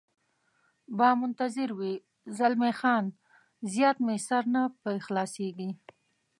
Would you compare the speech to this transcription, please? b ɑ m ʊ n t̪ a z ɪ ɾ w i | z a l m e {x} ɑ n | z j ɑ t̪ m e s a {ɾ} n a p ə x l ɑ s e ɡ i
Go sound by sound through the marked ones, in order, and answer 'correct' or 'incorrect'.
correct, correct

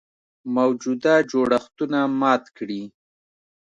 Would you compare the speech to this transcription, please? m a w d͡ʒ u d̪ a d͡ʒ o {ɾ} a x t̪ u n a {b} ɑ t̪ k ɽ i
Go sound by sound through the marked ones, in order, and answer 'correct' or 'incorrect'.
incorrect, incorrect

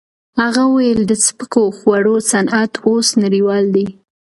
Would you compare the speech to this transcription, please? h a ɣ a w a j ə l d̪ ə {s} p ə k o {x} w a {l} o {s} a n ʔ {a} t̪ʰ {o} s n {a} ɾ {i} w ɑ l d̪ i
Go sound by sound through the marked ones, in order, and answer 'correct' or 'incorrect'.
correct, correct, incorrect, correct, correct, correct, correct, correct

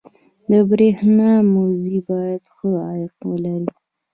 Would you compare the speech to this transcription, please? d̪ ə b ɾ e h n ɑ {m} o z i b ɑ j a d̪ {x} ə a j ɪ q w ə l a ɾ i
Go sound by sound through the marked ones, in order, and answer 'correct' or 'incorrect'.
correct, correct

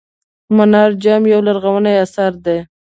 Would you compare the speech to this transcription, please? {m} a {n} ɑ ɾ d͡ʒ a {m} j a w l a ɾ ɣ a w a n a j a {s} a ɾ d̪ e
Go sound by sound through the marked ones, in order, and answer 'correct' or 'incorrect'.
correct, correct, correct, correct

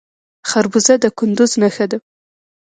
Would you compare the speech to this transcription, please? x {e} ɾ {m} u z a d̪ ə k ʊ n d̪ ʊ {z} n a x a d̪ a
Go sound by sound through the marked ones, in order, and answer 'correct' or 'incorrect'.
incorrect, incorrect, correct

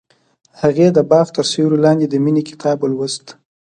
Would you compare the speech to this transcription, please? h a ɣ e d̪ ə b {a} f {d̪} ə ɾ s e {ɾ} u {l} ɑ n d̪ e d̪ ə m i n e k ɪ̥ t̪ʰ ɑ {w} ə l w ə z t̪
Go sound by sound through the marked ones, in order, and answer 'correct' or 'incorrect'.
incorrect, incorrect, correct, correct, incorrect

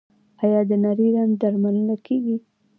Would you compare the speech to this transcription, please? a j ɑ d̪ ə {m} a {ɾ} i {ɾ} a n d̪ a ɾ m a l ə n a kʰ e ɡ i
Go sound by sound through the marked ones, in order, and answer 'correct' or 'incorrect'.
incorrect, correct, correct

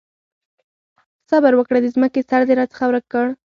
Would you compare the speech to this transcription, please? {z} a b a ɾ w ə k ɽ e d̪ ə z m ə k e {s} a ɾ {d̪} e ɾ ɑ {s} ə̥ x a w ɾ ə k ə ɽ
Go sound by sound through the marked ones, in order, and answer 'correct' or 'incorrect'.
incorrect, correct, correct, incorrect

